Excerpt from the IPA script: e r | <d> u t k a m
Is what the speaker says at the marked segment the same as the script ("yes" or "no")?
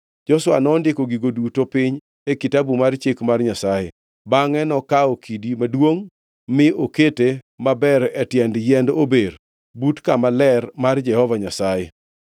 no